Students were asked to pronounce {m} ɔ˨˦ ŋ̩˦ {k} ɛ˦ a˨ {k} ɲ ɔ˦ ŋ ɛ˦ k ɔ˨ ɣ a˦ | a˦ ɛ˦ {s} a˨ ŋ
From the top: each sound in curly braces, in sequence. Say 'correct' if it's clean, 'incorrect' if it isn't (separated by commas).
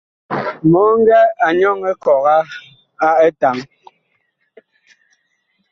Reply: correct, incorrect, incorrect, incorrect